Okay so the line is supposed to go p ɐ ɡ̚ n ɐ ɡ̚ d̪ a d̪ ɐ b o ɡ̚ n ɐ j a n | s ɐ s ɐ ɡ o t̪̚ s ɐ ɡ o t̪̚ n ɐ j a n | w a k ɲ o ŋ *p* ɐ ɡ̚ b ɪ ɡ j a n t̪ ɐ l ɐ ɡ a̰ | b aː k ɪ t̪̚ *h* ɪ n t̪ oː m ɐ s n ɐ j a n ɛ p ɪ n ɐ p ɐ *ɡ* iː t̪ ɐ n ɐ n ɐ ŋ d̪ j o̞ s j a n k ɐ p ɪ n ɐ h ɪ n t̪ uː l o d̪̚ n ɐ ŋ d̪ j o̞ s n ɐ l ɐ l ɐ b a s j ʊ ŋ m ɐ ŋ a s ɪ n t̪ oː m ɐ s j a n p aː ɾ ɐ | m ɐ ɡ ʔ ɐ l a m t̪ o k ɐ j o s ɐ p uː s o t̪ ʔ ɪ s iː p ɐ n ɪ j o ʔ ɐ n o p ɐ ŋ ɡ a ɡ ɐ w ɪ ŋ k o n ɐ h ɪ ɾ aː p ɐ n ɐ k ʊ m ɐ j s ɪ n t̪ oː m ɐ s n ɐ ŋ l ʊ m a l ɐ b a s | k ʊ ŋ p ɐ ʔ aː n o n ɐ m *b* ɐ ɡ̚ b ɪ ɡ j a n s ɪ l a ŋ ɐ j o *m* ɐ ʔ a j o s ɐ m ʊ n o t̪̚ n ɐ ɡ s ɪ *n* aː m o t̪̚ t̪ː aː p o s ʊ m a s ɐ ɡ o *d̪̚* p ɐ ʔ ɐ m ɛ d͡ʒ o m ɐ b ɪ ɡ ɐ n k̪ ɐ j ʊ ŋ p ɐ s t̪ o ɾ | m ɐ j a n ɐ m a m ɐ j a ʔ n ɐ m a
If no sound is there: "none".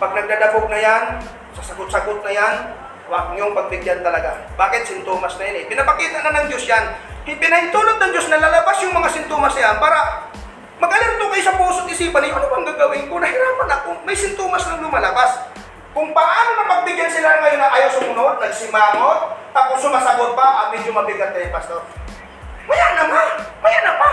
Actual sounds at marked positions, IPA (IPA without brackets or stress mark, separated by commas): p, s, k, p, n, m, t̪̚